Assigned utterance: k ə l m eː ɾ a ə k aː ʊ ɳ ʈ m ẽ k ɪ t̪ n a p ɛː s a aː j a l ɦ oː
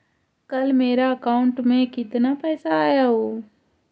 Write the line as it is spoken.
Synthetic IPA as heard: k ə l m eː ɾ a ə k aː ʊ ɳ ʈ m ẽ k ɪ t̪ n a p ɛː s a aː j a ɦ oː

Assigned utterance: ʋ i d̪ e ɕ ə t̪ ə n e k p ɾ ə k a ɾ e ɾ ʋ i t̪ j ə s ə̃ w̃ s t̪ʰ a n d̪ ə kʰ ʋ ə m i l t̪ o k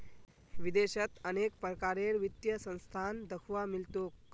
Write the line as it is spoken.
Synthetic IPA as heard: ʋ i d̪ e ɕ ə t̪ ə n e k p ɾ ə k a ɾ e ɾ ʋ i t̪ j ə s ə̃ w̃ s t̪ʰ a n d̪ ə kʰ ʋ a m i l t̪ o k

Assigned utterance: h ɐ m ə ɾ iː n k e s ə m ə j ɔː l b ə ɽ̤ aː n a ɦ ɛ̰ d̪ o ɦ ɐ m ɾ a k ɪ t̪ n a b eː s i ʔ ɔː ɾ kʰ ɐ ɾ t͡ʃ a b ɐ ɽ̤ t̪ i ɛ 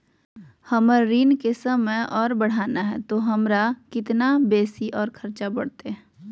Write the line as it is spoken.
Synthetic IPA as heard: h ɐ m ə ɾ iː n k e s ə m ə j ɔː ɾ b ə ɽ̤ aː n a ɦ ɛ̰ t̪ o ɦ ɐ m ɾ a k ɪ t̪ n a b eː s i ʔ ɔː ɾ kʰ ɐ ɾ t͡ʃ a b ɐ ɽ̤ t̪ e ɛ

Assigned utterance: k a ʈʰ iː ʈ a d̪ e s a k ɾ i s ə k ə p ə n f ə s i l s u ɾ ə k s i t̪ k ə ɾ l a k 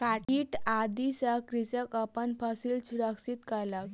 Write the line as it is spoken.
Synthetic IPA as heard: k a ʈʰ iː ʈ a d̪ i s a k ɾ i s ə k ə p ə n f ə s i l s u ɾ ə k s i t̪ k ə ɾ l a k

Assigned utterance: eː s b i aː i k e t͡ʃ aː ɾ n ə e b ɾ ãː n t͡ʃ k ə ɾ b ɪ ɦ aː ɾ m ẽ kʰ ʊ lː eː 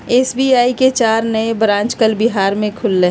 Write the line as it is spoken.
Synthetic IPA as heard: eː s b i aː i k e t͡ʃ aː ɾ n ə e b ɾ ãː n t͡ʃ k ə l b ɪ ɦ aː ɾ m ẽ kʰ ʊ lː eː

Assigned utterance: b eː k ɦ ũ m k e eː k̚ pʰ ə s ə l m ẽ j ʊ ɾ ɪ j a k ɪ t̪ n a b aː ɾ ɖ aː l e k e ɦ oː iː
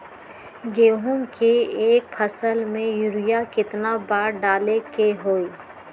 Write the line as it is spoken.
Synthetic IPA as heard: ɡ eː ɦ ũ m k e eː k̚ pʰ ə s ə l m ẽ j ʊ ɾ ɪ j a k ɪ t̪ n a b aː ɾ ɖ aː l e k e ɦ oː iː

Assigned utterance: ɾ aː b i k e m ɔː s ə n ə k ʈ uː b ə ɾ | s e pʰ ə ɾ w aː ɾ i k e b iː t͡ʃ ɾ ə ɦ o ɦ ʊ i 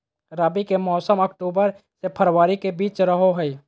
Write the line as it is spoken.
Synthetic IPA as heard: ɾ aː b i k e m ɔː s ə m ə k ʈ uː b ə ɾ | s e pʰ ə ɾ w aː ɾ i k e b iː t͡ʃ ɾ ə ɦ o ɦ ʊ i

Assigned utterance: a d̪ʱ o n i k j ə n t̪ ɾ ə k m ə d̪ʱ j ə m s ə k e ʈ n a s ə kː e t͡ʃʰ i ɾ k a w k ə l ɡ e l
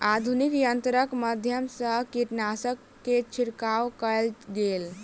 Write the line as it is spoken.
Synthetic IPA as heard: a d̪ʱ u n i k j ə n t̪ ɾ ə k m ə d̪ʱ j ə m s ə k i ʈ n a s ə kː e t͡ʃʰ i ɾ k a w k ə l ɡ e l

